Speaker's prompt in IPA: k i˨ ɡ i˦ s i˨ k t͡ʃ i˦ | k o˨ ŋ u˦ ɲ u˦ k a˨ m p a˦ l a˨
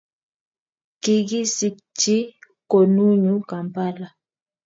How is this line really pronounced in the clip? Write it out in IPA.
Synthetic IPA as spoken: k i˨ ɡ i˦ s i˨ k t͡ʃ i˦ | k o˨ n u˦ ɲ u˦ k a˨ m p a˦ l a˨